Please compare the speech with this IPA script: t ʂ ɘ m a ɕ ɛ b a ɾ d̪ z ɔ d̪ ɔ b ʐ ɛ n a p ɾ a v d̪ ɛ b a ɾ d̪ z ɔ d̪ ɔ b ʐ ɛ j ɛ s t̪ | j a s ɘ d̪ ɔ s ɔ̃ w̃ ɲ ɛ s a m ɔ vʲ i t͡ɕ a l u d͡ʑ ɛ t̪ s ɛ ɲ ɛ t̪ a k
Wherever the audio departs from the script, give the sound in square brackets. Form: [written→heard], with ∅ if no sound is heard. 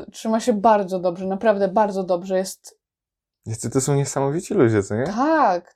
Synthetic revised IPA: t ʂ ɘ m a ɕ ɛ b a ɾ d̪ z ɔ d̪ ɔ b ʐ ɛ n a p ɾ a v d̪ ɛ b a ɾ d̪ z ɔ d̪ ɔ b ʐ ɛ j ɛ s t̪ | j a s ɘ [d̪→t̪] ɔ s ɔ̃ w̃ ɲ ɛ s a m ɔ vʲ i t͡ɕ [a→i] l u d͡ʑ ɛ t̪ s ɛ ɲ ɛ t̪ a k